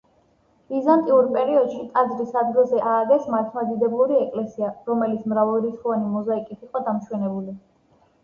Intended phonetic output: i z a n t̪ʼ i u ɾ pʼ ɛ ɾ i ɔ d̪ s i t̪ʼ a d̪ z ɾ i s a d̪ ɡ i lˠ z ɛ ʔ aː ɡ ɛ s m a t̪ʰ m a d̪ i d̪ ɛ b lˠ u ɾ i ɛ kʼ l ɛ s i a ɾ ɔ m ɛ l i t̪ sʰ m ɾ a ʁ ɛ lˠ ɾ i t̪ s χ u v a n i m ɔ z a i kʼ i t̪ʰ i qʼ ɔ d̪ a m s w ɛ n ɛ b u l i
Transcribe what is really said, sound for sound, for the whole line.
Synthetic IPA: i z a n t̪ʼ i u ɾ pʼ ɛ ɾ i ɔ d̪ ʃ i t̪ʼ a d̪ z ɾ i s a d̪ ɡ i lˠ z ɛ ʔ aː ɡ ɛ s m a t̪ʰ m a d̪ i d̪ ɛ b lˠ u ɾ i ɛ kʼ l ɛ s i a ɾ ɔ m ɛ l i t̪ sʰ m ɾ a v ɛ lˠ ɾ i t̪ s χ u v a n i m ɔ z a i kʼ i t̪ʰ i qʼ ɔ d̪ a m ʃ w ɛ n ɛ b u l i